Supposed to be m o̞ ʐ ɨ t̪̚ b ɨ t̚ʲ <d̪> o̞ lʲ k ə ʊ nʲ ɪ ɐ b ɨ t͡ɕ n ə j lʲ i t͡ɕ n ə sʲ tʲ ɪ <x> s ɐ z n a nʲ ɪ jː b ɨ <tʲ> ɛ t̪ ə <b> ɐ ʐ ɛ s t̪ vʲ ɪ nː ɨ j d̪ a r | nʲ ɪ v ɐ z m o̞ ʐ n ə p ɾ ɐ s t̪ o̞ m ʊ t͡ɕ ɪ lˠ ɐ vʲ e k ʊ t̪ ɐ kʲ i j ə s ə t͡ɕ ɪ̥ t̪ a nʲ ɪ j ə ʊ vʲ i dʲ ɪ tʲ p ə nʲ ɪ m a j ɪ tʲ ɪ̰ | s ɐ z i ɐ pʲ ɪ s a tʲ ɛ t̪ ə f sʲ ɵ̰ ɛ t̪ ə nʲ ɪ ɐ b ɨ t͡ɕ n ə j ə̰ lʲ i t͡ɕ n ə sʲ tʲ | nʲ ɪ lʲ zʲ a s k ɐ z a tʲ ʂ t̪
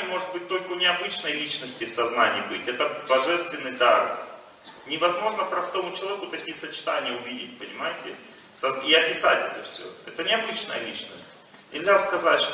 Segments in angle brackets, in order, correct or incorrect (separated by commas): incorrect, incorrect, correct, correct